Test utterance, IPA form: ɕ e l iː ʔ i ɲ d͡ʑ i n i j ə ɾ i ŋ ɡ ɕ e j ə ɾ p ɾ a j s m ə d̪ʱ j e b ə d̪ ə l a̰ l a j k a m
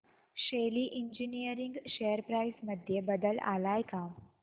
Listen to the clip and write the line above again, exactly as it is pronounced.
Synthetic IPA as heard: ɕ e l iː ʔ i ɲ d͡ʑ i n i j ə ɾ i ŋ ɡ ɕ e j ə ɾ p ɾ a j s m ə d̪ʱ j e b ə d̪ ə l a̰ l a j k a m